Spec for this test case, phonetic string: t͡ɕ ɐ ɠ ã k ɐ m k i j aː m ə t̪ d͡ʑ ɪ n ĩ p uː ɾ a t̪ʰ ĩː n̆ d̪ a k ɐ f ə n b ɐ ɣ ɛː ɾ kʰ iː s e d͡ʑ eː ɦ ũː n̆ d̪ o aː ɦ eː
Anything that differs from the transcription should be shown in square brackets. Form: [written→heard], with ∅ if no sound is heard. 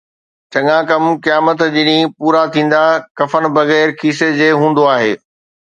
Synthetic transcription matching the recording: t͡ɕ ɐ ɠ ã k ɐ m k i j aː m ə t̪ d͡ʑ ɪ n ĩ p uː ɾ a t̪ʰ ĩː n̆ d̪ a k ɐ f ə n b ɐ ɣ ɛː ɾ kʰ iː s e d͡ʑ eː ɦ ũː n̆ d̪ o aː ɦ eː